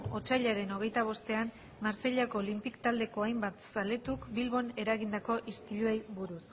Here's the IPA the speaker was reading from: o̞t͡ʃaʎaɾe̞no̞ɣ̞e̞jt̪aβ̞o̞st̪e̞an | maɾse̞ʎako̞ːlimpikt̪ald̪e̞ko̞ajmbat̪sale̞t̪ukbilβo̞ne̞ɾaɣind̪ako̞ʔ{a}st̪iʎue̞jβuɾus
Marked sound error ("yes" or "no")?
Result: yes